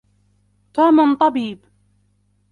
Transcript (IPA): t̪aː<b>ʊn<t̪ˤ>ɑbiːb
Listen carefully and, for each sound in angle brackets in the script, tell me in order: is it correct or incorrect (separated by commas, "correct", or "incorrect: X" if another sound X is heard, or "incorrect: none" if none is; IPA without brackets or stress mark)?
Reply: incorrect: m, correct